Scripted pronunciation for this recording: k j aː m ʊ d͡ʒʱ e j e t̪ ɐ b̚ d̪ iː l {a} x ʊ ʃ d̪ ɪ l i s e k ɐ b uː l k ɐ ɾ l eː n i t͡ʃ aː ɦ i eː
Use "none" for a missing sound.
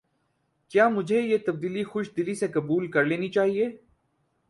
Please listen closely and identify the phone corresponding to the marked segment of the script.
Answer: i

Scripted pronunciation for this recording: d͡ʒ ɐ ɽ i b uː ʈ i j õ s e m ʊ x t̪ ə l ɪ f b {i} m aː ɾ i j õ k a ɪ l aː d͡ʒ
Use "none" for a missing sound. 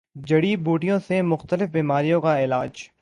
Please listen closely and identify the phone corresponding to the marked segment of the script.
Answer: iː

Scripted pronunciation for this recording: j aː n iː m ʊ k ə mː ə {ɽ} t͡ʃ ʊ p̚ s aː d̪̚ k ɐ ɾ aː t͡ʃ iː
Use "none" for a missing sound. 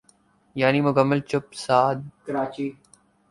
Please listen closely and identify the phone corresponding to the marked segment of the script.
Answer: l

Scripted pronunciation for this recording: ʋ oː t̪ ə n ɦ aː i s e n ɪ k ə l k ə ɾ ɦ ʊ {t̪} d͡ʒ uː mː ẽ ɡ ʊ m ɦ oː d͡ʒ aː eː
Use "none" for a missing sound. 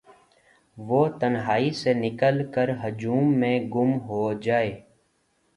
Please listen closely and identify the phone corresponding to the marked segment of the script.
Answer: none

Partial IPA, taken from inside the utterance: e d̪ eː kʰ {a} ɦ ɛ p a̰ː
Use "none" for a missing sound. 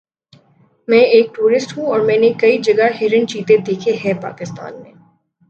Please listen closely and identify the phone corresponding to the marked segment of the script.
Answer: e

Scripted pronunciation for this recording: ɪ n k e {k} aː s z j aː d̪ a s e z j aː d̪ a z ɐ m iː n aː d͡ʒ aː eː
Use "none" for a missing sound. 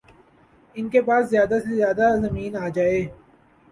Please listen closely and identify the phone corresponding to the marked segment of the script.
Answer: p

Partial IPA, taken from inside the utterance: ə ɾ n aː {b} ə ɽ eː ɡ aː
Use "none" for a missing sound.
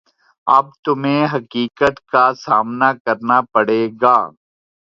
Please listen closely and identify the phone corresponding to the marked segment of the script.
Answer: p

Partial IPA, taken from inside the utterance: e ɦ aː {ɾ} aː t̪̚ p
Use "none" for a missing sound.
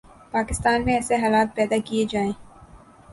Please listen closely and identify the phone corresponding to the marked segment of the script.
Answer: l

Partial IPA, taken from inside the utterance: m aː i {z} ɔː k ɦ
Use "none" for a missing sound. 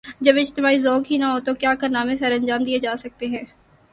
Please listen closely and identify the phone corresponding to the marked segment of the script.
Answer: z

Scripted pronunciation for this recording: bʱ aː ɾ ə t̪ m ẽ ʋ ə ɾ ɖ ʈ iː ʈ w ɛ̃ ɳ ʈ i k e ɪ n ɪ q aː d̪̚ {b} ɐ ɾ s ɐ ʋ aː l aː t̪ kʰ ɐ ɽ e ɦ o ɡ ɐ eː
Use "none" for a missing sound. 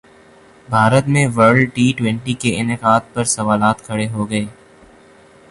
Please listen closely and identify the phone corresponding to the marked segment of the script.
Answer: p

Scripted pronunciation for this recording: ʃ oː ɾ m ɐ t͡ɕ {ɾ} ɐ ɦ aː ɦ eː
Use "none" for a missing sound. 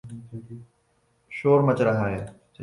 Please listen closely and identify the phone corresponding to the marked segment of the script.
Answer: ɾ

